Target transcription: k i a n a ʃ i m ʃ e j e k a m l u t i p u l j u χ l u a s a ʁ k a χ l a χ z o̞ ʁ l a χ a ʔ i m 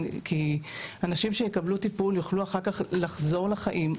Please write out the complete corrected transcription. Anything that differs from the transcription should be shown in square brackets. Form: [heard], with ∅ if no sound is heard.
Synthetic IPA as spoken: k i a n a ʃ i m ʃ e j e k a [b] l u t i p u l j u χ l u a [χ] a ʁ k a χ l a χ z o̞ ʁ l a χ a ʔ i m